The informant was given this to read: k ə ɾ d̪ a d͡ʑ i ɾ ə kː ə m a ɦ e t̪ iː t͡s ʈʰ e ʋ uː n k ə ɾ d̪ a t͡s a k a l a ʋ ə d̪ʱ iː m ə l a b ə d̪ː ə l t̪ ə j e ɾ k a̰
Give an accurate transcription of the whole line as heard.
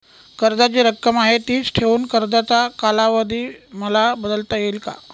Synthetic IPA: k ə ɾ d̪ a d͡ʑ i ɾ ə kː ə m a ɦ e t̪ iː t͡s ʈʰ e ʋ uː n k ə ɾ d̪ a t͡s a k a l a ʋ ə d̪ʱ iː m ə l a b ə d̪ ə l t̪ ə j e l k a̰